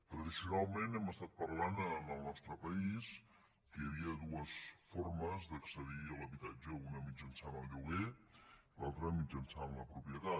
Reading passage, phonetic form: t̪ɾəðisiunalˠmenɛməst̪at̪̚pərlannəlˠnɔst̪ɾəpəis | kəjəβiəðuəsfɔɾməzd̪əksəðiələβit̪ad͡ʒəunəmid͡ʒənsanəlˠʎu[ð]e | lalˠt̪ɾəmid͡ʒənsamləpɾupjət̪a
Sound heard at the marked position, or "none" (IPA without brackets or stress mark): ɣ